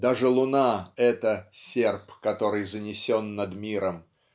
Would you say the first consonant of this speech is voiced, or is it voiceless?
voiced